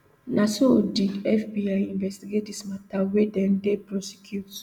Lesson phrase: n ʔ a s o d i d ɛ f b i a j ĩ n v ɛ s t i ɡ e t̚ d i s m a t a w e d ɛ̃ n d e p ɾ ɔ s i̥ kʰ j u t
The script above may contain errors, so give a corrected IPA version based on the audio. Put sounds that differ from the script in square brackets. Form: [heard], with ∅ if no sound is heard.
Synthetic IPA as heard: n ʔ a s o d i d ɛ f b i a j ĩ n v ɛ s t i ɡ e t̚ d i s m a t a w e d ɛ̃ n d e p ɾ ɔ s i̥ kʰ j u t